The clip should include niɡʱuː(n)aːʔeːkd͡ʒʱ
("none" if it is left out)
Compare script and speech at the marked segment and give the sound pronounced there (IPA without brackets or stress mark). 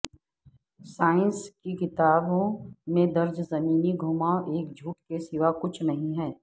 m